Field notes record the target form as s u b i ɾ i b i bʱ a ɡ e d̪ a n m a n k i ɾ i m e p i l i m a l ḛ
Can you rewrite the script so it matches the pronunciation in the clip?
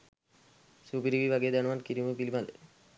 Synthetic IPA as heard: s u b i ɾ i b i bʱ a ɡ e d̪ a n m a n k i ɾ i m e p i l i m a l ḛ